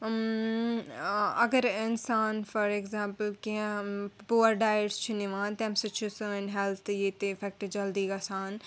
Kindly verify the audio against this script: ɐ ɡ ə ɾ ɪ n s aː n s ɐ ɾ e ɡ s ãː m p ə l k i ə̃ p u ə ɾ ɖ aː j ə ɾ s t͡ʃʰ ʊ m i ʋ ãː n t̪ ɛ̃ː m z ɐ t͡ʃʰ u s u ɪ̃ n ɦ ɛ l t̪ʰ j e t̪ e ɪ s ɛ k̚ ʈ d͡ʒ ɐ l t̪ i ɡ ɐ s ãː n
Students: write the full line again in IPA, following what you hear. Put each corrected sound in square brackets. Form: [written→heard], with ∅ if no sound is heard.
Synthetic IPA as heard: ɐ ɡ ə ɾ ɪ n s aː n [s→f] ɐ ɾ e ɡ [s→z] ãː m p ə l k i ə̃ p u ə ɾ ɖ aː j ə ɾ s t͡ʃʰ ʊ [m→n] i ʋ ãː n t̪ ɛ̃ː m [z→s] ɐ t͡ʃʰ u s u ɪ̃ n ɦ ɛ l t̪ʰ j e t̪ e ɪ [s→f] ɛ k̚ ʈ d͡ʒ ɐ l [t̪→d̪] i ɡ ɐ s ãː n